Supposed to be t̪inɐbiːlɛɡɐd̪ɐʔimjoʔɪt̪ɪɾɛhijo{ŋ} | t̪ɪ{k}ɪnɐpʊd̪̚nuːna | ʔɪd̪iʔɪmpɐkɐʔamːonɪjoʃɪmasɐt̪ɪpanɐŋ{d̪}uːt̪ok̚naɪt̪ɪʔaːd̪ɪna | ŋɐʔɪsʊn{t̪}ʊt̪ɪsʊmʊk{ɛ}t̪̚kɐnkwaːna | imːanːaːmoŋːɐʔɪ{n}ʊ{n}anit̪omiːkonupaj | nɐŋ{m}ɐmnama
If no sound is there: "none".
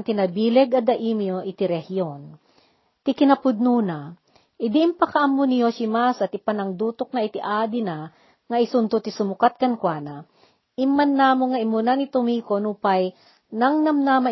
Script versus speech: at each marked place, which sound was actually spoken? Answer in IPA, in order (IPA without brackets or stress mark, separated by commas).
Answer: n, k, d̪, t̪, a, m, n, n